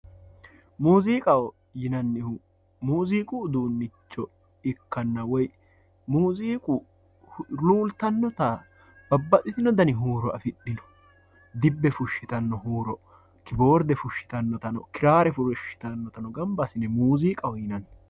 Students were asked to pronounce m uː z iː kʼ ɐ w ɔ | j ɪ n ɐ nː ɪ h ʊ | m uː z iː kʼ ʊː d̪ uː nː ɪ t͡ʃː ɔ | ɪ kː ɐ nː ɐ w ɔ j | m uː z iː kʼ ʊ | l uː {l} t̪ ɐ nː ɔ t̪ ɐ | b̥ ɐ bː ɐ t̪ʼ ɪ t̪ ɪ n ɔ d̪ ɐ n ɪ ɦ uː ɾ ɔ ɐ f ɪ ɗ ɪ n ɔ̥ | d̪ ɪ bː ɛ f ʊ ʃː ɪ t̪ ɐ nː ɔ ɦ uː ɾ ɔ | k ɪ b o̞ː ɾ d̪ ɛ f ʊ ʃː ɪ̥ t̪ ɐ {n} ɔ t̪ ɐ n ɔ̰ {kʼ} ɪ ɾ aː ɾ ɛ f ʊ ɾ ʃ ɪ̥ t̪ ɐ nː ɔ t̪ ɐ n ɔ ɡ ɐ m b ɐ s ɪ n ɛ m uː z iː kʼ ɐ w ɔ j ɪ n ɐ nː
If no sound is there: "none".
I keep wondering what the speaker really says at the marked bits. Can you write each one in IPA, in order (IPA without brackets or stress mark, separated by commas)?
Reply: l, nː, k